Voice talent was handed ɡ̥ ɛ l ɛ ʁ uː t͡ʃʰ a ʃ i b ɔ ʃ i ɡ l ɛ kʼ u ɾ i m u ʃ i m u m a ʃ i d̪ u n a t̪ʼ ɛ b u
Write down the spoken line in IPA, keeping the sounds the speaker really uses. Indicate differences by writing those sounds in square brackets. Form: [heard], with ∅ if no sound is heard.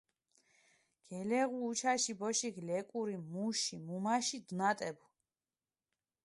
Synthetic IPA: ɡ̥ ɛ l ɛ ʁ uː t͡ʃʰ a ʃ i b ɔ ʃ i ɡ l ɛ kʼ u ɾ i m u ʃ i m u m a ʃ i d̪ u n a t̪ʼ ɛ b u